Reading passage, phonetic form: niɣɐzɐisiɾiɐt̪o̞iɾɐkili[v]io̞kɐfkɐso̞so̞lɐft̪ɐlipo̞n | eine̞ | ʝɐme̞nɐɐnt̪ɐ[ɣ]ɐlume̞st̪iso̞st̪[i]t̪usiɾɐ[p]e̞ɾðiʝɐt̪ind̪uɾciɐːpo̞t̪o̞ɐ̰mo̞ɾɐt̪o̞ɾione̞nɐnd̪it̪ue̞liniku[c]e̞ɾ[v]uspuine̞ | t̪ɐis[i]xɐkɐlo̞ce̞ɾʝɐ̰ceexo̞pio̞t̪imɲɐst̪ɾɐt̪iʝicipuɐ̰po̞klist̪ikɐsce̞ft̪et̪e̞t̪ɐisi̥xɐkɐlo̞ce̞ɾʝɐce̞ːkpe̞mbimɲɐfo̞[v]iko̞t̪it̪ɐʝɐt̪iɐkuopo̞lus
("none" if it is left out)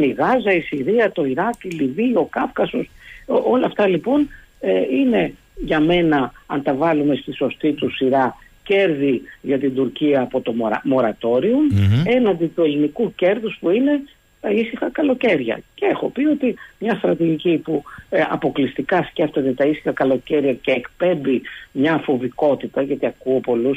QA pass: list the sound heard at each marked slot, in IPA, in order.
v, v, i, c, c, ð, i, v

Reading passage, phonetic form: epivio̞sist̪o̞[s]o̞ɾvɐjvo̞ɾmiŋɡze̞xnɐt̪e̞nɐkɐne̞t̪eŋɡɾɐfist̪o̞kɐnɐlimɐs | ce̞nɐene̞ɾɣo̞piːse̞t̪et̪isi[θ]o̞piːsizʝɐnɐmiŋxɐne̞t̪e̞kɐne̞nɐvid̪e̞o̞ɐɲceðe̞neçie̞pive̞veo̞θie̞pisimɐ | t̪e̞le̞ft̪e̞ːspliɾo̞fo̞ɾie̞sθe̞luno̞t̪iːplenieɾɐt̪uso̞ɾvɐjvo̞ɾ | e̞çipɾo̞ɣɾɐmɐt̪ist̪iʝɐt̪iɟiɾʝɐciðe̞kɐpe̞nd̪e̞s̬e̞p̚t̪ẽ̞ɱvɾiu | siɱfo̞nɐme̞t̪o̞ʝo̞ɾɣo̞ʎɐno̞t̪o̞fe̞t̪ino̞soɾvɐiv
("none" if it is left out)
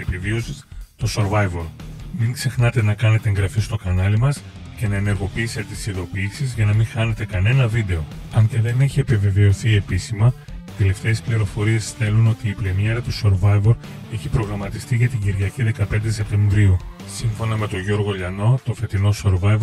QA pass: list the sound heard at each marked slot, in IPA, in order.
s, ð

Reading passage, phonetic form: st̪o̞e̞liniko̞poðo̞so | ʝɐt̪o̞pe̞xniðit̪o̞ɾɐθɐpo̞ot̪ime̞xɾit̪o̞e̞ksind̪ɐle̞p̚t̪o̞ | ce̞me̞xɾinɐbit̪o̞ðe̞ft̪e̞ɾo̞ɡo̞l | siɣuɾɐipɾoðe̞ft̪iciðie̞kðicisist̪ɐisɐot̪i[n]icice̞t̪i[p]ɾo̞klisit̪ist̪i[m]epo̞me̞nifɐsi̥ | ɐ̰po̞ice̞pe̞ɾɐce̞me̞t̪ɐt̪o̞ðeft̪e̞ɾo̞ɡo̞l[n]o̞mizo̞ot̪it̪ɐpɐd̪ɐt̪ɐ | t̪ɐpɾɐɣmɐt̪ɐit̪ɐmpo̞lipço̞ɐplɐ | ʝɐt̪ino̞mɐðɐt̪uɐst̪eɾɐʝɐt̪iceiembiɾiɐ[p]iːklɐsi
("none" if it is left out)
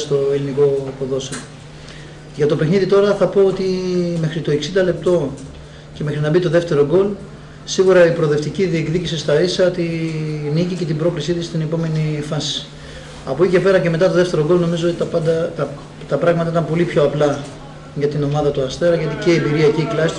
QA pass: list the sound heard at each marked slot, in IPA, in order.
n, b, n, n, c

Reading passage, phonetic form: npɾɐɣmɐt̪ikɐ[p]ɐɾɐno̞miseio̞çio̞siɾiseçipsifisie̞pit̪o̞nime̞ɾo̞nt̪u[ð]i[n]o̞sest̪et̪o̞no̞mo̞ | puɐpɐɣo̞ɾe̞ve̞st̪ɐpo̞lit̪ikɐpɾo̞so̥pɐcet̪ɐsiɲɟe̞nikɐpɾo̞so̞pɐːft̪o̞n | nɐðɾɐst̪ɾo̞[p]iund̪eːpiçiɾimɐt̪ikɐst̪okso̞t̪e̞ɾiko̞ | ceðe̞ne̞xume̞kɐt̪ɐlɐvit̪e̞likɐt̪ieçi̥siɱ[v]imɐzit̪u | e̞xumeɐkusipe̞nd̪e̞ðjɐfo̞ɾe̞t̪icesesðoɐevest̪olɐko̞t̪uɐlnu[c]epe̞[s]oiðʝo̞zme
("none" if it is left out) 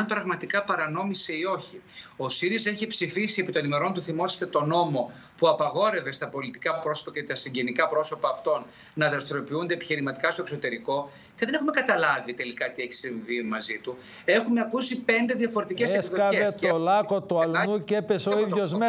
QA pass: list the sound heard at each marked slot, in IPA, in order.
p, θ, m, p, v, c, s

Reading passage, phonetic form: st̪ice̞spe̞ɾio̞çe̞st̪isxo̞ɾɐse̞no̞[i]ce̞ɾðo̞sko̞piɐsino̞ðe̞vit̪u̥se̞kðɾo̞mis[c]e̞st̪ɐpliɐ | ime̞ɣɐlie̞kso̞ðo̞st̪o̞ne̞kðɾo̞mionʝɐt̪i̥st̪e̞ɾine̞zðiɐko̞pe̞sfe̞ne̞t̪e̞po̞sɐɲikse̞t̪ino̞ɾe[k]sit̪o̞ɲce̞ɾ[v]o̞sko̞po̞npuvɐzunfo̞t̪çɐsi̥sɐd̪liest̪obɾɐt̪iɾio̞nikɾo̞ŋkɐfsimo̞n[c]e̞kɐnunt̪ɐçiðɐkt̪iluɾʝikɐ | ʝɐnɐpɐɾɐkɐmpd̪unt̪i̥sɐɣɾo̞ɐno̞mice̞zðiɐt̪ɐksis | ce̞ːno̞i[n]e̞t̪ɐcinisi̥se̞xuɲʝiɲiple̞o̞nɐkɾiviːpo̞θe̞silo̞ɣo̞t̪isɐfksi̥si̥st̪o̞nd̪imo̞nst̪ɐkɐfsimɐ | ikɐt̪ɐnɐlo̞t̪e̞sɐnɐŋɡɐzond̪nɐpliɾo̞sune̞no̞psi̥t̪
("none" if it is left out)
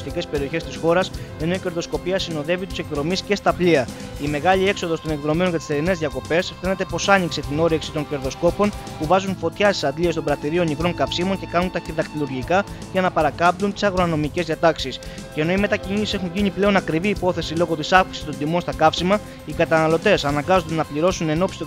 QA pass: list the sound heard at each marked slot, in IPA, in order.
i, c, k, ð, c, m

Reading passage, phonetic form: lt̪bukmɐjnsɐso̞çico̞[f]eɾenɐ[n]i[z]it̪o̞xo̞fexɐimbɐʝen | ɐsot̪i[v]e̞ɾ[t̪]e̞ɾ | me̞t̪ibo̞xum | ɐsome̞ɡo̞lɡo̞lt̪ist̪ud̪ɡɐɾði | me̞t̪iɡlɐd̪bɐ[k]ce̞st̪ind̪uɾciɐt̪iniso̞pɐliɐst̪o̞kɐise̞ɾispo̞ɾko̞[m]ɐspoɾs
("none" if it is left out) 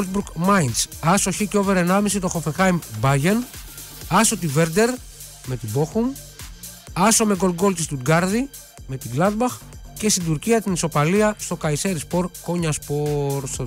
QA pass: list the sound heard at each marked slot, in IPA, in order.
v, m, s, v, d̪, x, ɲ

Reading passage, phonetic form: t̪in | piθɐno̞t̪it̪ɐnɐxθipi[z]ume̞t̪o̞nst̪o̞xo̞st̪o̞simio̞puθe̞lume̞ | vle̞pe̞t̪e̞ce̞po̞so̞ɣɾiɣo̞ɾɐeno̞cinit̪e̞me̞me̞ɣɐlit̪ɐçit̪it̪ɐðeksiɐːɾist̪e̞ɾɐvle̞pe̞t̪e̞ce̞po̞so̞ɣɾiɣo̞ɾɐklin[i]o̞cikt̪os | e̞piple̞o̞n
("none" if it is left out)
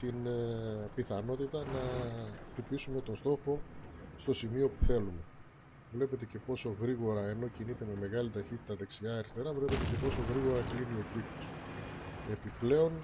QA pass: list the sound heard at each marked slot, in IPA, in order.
s, i

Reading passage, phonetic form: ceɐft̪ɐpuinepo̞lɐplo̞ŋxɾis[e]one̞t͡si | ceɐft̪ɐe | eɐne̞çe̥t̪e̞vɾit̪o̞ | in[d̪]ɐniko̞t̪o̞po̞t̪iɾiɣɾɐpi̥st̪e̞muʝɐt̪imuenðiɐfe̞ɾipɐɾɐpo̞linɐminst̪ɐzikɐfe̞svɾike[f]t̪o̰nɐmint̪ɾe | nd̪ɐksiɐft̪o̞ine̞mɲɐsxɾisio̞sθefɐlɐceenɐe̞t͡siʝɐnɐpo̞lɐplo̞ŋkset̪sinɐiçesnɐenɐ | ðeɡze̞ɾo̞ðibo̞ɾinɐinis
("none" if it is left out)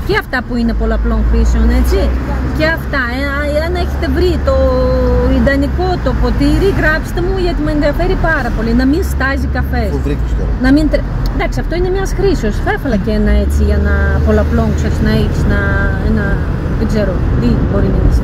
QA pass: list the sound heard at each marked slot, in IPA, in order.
e, d̪, s

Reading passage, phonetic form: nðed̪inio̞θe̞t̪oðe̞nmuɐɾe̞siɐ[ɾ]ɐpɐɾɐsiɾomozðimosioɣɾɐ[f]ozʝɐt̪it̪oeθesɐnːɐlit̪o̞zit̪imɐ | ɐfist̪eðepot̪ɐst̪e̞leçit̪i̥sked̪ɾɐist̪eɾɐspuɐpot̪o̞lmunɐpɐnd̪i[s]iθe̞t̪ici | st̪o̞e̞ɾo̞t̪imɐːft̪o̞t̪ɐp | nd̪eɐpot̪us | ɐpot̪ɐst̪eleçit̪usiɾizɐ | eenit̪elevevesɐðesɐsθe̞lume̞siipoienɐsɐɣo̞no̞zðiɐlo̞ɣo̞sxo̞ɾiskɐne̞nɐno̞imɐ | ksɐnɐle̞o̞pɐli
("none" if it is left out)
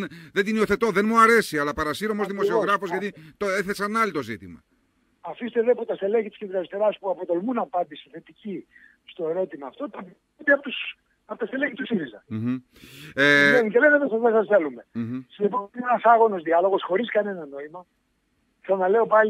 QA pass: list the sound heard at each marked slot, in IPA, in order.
l, f, s

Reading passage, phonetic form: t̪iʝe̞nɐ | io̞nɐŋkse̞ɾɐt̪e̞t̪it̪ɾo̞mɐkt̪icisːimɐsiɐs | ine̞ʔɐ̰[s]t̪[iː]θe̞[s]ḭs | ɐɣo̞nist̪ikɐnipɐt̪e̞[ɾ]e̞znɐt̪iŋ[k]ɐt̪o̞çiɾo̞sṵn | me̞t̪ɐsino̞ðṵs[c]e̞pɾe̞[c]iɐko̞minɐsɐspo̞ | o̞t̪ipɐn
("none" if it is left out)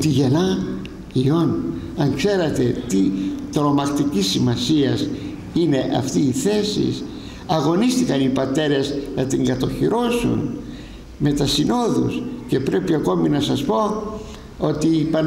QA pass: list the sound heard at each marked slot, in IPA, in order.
f, iː, s, ɾ, ɡ, c, p

